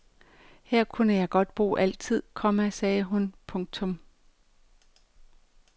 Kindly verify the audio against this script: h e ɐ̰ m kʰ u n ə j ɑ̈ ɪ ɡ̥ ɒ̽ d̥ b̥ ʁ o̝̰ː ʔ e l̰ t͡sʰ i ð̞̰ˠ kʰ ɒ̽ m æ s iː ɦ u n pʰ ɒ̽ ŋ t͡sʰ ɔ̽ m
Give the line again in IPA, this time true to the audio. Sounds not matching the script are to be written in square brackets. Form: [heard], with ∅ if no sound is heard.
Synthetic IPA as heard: h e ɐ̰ [∅] kʰ u n ə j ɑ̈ ɪ ɡ̥ ɒ̽ d̥ b̥ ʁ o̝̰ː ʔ [æ] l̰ t͡sʰ i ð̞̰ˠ kʰ ɒ̽ m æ s [ɛː] ɦ u n pʰ [ɔ̽] ŋ t͡sʰ ɔ̽ m

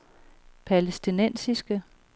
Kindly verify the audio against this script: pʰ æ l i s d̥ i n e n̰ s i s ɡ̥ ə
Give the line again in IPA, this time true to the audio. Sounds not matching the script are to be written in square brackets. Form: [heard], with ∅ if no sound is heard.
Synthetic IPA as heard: pʰ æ l [e] s d̥ i n e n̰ s i s ɡ̥ ə

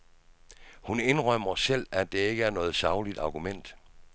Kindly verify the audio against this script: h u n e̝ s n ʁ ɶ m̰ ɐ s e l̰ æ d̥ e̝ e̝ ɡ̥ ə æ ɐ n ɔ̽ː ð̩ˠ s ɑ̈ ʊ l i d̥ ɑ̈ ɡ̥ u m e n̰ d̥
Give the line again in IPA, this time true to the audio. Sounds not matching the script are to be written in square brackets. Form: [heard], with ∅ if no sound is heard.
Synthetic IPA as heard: h u n e̝ [∅] n ʁ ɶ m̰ ɐ s e l̰ æ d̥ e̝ e̝ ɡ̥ ə æ ɐ n ɔ̽ː ð̩ˠ s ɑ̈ ʊ l i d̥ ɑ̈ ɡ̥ u m e n̰ d̥

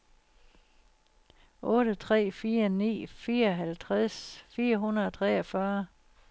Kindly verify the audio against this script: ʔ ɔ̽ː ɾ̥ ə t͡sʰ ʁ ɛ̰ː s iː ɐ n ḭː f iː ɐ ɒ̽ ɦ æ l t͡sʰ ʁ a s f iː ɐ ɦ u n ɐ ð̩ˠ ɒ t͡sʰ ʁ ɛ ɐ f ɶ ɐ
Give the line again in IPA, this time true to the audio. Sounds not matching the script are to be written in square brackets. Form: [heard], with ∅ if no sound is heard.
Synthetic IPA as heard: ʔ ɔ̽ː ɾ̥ ə t͡sʰ ʁ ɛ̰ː [f] iː ɐ n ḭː f iː ɐ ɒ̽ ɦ æ l t͡sʰ ʁ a s f iː ɐ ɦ u n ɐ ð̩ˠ ɒ t͡sʰ ʁ ɛ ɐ f ɶ ɐ

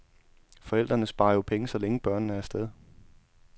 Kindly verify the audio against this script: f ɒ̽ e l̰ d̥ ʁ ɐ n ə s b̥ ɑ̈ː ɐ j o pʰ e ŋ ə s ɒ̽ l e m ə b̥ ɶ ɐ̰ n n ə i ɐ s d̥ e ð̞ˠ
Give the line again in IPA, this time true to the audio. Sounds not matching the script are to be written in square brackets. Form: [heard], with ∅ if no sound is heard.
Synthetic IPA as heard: f ɒ̽ e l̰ d̥ ʁ ɐ n ə s b̥ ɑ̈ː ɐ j o pʰ e ŋ ə s ɒ̽ l e [ŋ] ə b̥ ɶ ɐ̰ n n ə [æ] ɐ s d̥ e ð̞ˠ

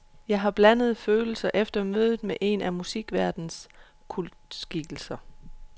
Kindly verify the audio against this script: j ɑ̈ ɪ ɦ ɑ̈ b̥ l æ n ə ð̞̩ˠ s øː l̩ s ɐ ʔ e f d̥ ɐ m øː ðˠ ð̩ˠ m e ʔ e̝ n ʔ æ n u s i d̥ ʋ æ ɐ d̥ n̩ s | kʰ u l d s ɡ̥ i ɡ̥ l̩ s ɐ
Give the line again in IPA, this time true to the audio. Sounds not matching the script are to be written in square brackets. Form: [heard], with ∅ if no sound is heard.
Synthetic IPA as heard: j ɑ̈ ɪ ɦ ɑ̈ b̥ l æ n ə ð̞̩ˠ [f] øː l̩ s ɐ ʔ e f d̥ ɐ m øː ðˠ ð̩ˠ m e ʔ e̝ n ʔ æ [m] u s i [ɡ̥] ʋ æ ɐ d̥ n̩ s | kʰ u l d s ɡ̥ i ɡ̥ l̩ s ɐ

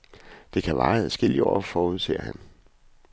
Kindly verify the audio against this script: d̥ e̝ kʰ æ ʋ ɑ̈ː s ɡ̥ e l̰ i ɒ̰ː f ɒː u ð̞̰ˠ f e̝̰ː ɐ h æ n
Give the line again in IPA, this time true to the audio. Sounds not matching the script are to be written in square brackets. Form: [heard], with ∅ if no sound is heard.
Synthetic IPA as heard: d̥ e̝ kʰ æ ʋ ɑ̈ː s ɡ̥ e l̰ i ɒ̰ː f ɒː u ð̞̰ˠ [s] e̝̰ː ɐ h æ n

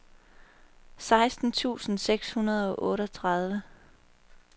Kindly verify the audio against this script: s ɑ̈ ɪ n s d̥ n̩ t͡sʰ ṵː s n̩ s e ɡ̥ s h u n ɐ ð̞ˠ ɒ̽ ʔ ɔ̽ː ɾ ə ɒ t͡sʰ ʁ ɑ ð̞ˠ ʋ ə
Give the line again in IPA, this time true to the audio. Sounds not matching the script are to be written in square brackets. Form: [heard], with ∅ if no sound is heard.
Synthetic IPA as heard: s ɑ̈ ɪ [∅] s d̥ n̩ t͡sʰ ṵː s n̩ s e ɡ̥ s h u n ɐ ð̞ˠ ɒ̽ ʔ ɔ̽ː ɾ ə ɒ t͡sʰ ʁ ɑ ð̞ˠ ʋ ə

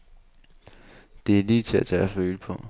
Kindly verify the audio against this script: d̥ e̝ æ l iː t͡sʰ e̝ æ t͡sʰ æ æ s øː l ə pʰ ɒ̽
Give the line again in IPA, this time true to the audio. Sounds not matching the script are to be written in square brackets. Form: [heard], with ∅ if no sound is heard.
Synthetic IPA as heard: d̥ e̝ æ l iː t͡sʰ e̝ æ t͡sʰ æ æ [f] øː l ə pʰ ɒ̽

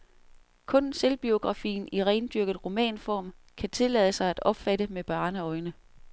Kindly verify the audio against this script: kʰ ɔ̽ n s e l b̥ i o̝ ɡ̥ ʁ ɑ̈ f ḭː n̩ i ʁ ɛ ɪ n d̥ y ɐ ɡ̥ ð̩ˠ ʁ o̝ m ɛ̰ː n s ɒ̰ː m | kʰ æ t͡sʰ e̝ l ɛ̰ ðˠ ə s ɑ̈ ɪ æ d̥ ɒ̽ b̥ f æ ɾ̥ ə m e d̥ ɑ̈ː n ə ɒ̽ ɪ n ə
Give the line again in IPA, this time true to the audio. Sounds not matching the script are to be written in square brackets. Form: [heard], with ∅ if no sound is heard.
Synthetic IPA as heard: kʰ ɔ̽ n s e l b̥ i o̝ ɡ̥ ʁ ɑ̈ f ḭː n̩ i ʁ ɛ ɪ n d̥ y ɐ ɡ̥ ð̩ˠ ʁ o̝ m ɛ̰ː n [f] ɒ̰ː m | kʰ æ t͡sʰ e̝ l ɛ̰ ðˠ ə s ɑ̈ ɪ æ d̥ ɒ̽ b̥ f æ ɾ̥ ə m e [b̥] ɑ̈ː n ə ɒ̽ ɪ n ə

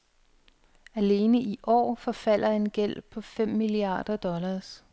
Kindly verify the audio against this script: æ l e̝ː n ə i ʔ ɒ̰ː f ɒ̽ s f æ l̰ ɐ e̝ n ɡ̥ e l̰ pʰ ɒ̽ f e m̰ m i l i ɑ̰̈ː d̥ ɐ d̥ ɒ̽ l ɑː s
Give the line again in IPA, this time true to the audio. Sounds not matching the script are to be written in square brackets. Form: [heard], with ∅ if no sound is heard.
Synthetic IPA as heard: æ l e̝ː n ə i ʔ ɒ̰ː f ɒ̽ [∅] f æ l̰ ɐ e̝ n ɡ̥ e l̰ pʰ ɒ̽ f e m̰ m i l i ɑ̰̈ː d̥ ɐ d̥ ɒ̽ l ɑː s

